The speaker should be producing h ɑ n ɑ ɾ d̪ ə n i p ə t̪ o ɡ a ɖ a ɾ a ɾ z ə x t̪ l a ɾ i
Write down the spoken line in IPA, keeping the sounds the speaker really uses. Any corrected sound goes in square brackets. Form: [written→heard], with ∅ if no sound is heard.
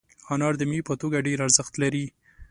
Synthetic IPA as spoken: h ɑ n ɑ ɾ d̪ ə [n→m] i p ə t̪ o ɡ a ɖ [a→e] ɾ a ɾ z ə x t̪ l a ɾ i